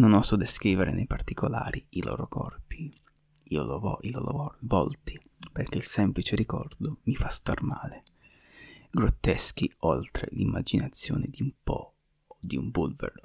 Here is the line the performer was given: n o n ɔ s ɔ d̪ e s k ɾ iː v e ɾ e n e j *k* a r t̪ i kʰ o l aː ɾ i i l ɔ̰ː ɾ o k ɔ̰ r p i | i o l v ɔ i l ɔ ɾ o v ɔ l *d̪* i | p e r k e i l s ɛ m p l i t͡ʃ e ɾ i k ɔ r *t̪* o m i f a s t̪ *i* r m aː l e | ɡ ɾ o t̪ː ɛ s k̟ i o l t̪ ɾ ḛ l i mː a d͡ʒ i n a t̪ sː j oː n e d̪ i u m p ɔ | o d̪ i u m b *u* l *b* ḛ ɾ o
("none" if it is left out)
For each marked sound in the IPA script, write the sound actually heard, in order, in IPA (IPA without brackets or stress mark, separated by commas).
p, t̪, d̪, a, u, v